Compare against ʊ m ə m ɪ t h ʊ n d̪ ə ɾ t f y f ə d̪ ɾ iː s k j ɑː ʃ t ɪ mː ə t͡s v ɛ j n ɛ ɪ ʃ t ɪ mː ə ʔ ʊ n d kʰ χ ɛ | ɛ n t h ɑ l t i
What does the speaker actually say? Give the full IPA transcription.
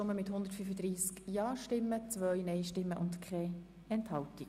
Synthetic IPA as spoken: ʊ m ə m ɪ t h ʊ n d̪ ə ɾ t f y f ə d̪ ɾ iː s k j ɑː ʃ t ɪ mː ə t͡s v œ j n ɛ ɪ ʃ t ɪ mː ə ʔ ʊ n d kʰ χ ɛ | ɛ n t h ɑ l t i